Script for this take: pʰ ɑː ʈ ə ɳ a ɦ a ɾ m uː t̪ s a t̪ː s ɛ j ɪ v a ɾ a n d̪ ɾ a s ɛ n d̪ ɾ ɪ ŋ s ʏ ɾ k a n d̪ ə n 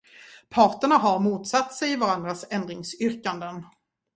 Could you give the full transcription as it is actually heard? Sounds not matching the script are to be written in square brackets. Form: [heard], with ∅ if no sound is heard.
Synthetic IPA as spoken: pʰ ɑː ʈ ə ɳ a ɦ a ɾ m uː t̪ s a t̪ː s ɛ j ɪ v a ɾ a n d̪ ɾ a s ɛ n d̪ ɾ ɪ ŋ s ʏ ɾ k a n d̪ ə n